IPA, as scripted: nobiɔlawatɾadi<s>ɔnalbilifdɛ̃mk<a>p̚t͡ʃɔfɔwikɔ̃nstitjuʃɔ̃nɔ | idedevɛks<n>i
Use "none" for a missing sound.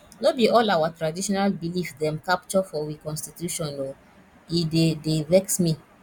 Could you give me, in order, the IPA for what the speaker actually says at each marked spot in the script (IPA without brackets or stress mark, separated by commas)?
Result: ʃ, a, m